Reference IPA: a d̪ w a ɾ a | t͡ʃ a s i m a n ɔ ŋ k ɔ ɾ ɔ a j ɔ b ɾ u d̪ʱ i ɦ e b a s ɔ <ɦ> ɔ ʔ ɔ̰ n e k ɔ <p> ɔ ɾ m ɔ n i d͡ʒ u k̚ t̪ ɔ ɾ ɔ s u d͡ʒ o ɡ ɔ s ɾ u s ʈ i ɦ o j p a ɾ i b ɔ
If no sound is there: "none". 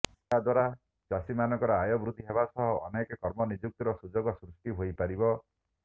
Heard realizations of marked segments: ɦ, k

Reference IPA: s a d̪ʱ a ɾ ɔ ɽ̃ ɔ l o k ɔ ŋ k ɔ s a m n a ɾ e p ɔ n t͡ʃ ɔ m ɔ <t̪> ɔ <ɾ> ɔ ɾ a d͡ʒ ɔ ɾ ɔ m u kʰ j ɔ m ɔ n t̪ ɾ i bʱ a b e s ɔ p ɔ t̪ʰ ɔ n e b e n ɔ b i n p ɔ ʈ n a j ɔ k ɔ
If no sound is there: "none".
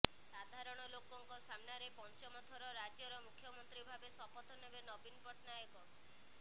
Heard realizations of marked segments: t̪ʰ, ɾ

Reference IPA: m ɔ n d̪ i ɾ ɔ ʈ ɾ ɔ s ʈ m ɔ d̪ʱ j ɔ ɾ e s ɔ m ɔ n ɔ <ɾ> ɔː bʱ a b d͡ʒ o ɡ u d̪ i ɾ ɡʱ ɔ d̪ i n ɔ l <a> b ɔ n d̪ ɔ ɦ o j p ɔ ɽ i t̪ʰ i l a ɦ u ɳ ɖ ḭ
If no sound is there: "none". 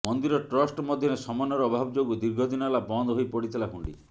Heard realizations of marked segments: ɾ, a

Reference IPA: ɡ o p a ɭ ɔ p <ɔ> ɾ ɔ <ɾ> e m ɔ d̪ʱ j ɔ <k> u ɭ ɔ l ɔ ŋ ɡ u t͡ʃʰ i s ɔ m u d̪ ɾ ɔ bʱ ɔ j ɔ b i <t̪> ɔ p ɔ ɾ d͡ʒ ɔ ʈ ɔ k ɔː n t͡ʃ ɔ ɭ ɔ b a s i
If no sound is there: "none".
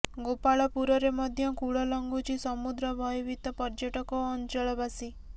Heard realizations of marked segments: u, ɾ, k, t̪

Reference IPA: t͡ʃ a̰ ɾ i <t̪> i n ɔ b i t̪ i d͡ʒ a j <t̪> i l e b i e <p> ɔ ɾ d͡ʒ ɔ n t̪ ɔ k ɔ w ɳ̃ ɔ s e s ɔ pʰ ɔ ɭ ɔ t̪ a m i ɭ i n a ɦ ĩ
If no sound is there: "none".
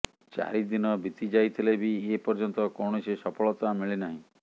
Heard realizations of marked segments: d̪, t̪ʰ, p

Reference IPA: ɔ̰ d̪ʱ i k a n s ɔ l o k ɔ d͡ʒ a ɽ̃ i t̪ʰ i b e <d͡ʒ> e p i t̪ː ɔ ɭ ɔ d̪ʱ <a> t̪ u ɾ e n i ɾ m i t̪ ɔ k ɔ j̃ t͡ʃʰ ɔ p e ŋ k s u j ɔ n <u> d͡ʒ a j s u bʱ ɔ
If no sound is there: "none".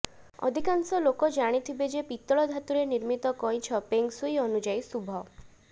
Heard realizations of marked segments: d͡ʒ, a, u

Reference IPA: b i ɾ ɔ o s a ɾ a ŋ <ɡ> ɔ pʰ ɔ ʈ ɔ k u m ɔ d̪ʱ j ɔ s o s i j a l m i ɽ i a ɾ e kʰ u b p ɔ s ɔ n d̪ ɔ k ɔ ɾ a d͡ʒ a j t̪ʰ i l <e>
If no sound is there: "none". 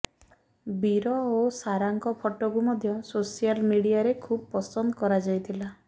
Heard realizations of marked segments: k, a

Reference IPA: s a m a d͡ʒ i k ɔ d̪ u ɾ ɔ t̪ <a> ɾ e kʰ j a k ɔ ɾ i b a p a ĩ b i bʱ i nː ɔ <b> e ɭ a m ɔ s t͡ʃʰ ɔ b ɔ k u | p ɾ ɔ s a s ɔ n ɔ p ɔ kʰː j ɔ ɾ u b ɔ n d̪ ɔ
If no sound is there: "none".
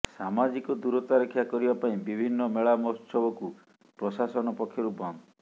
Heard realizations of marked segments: a, m

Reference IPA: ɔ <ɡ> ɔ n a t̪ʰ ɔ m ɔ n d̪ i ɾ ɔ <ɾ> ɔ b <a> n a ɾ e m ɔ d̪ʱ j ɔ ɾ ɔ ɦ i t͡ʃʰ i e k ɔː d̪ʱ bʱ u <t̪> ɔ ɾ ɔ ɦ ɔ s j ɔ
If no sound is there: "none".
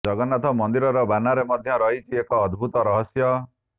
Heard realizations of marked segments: ɡ, ɾ, a, t̪

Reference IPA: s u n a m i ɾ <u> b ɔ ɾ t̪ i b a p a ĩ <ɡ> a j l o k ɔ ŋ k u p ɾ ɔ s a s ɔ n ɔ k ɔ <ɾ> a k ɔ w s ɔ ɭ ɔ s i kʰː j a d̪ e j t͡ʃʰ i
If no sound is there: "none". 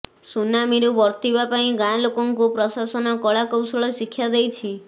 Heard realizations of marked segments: u, ɡ, ɭ

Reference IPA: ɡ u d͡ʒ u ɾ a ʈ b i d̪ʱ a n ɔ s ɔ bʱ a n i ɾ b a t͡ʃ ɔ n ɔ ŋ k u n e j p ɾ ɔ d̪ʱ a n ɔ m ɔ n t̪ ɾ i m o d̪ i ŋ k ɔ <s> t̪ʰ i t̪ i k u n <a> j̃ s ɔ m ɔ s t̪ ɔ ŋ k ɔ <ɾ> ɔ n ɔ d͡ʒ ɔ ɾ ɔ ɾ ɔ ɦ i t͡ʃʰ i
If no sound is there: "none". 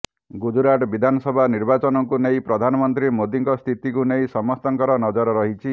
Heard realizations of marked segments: s, e, ɾ

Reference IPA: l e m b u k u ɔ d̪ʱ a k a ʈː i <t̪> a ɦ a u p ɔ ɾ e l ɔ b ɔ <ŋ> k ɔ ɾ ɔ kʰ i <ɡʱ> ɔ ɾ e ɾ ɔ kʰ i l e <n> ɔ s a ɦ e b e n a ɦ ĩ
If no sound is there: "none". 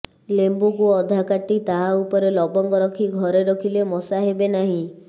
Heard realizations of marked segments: t̪, ŋ, ɡʱ, m

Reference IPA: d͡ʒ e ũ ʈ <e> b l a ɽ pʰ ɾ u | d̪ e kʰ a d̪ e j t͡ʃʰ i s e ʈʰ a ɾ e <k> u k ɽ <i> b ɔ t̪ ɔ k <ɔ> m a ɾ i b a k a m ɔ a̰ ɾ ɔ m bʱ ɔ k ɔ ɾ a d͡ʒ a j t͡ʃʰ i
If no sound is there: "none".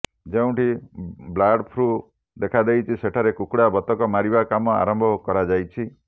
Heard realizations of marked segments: i, k, a, ɔ

